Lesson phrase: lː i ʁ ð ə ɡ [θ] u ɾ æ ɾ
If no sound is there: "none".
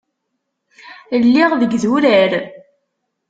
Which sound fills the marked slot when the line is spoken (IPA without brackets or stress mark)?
ð